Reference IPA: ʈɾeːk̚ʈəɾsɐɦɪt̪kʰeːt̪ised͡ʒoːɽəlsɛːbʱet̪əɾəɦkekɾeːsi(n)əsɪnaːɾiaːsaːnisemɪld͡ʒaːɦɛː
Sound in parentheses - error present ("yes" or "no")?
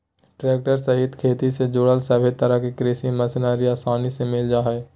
yes